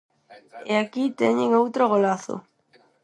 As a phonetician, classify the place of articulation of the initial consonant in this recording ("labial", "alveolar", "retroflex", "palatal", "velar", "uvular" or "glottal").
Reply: velar